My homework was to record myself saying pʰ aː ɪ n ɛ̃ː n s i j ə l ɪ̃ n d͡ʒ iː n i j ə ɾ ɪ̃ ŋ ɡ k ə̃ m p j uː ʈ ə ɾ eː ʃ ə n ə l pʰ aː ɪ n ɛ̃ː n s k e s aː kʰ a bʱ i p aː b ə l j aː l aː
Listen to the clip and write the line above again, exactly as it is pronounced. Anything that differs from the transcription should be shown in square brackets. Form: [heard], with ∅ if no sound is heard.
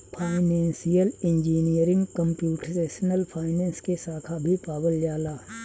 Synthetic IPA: pʰ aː ɪ n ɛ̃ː n s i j ə l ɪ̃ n d͡ʒ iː n i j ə ɾ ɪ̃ ŋ ɡ k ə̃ m p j uː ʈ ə ɾ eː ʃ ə n ə l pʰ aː ɪ n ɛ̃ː n s k e s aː kʰ a bʱ i p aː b ə l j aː l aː